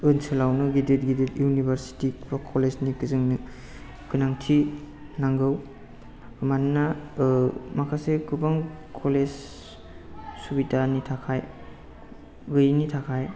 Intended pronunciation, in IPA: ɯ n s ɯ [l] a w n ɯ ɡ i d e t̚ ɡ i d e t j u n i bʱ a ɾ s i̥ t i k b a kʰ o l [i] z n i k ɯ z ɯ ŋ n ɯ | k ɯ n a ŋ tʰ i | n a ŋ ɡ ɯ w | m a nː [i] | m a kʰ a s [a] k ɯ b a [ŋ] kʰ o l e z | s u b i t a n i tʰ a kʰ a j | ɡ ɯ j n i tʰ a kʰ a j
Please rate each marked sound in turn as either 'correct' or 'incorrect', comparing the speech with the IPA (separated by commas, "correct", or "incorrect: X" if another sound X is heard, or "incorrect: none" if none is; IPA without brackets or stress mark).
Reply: correct, incorrect: e, incorrect: a, incorrect: e, correct